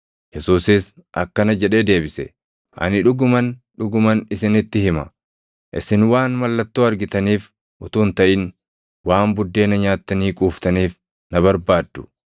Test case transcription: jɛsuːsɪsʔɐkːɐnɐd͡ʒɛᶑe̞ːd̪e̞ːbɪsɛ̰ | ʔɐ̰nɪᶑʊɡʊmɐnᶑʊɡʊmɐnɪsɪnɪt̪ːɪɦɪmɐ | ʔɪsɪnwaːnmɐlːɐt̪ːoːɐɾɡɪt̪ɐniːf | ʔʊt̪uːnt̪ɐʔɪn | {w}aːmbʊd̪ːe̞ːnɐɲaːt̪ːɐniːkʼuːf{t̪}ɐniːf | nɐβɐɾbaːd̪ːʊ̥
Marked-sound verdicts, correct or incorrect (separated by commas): correct, correct